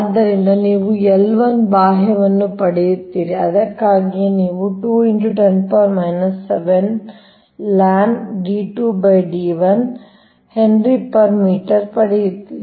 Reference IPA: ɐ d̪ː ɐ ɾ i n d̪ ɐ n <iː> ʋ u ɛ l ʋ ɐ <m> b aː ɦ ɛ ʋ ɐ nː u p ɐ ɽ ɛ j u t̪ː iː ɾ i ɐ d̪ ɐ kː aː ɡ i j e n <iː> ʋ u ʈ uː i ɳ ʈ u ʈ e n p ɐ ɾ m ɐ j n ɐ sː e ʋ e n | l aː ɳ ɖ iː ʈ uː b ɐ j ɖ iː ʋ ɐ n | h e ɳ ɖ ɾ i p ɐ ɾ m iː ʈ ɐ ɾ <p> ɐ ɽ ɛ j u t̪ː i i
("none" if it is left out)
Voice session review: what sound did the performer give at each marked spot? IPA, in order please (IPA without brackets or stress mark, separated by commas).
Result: iː, n, iː, p